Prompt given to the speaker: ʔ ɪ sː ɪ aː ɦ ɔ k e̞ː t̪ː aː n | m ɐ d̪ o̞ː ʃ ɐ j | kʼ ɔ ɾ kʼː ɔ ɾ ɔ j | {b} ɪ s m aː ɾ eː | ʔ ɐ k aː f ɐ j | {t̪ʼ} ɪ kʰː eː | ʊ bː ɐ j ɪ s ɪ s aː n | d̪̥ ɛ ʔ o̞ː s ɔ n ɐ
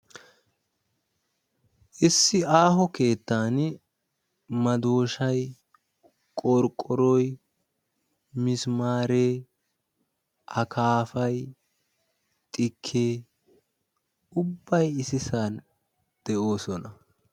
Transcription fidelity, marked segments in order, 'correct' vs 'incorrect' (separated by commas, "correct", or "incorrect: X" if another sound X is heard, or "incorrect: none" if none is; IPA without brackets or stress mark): incorrect: m, correct